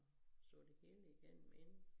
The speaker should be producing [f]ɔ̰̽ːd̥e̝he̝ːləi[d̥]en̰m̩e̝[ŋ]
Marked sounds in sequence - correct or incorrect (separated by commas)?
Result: incorrect, incorrect, incorrect